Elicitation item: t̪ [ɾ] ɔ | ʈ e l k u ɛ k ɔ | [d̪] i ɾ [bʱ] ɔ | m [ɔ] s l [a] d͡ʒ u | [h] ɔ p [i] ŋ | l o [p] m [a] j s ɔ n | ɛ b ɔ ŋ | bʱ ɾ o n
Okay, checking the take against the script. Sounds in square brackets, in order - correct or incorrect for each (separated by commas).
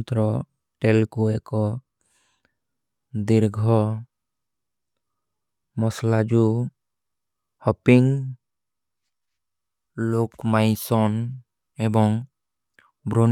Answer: correct, correct, incorrect, correct, correct, correct, correct, incorrect, correct